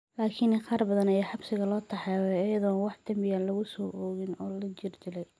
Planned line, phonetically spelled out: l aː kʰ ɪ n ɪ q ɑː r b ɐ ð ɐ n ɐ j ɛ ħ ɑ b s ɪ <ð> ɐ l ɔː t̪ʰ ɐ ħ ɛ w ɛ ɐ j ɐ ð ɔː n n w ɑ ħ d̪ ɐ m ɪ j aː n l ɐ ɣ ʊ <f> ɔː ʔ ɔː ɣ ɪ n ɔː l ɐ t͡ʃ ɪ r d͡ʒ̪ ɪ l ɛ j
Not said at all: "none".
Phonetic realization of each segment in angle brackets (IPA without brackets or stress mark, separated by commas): ɣ, s